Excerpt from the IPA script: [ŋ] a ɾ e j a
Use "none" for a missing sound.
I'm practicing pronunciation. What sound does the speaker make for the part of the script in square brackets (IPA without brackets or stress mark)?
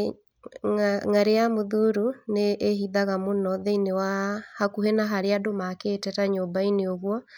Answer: ŋ